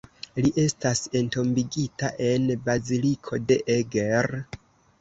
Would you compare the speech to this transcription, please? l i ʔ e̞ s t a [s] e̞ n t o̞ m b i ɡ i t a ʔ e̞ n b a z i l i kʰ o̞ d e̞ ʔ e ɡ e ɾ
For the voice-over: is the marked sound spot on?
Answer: yes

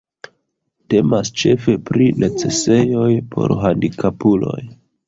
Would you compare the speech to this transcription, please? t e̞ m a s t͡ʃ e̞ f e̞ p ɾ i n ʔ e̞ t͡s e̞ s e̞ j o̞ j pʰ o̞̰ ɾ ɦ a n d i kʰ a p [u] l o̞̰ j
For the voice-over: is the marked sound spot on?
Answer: yes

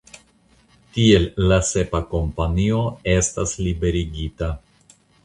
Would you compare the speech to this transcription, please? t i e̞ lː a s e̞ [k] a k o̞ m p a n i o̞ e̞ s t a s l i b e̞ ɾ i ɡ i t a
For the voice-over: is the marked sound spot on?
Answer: no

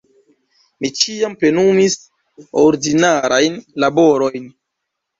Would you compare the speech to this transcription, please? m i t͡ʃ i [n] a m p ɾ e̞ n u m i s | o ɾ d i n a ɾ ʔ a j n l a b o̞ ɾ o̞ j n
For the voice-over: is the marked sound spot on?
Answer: no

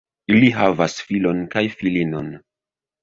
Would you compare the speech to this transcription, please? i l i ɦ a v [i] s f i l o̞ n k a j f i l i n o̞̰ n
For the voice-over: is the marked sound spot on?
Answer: no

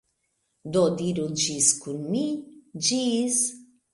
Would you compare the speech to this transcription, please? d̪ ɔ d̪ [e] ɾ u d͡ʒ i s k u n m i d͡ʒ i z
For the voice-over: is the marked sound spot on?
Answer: no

